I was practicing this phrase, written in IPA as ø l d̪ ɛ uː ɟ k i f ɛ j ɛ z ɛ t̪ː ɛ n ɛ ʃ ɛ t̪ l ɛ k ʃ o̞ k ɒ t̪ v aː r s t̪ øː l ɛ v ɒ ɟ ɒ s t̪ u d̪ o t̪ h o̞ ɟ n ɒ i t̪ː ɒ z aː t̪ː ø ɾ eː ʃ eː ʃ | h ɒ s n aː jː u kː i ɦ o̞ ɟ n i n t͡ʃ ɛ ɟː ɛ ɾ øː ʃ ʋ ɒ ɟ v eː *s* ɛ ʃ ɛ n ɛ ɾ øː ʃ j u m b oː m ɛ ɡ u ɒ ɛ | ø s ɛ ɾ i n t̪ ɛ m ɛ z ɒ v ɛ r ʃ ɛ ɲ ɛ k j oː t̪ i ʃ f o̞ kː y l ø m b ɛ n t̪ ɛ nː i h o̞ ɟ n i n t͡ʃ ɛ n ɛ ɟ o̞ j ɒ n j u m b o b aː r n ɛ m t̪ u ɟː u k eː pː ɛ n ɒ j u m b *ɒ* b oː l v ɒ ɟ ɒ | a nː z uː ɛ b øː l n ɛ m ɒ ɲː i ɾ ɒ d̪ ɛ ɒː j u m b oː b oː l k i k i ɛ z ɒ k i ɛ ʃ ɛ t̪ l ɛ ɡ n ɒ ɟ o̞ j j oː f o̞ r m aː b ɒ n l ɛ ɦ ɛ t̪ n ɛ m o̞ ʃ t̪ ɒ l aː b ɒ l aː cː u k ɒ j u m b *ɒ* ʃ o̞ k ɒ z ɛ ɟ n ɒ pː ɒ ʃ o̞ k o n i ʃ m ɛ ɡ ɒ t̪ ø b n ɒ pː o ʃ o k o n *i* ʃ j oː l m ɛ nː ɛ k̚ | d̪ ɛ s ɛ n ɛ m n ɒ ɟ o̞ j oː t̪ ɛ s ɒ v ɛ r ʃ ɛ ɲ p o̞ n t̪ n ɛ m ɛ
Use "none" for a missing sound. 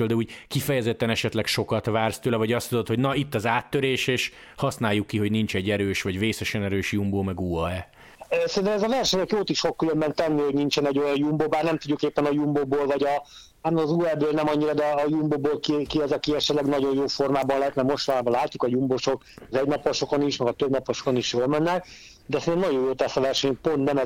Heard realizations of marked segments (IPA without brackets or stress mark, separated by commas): s, o, o, i